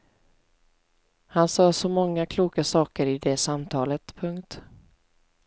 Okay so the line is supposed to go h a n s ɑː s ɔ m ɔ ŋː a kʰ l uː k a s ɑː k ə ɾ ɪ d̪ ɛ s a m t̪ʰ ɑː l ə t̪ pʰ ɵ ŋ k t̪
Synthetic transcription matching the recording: h a n s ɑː s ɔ m ɔ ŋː a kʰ l uː k a s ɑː k ə ɾ ɪ d̪ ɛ s a m t̪ʰ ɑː l ə t̪ pʰ ɵ ŋ k t̪